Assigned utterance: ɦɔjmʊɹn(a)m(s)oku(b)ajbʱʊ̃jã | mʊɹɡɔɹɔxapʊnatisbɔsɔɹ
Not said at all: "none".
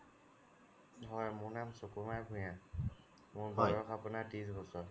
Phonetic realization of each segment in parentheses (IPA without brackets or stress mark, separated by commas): a, s, m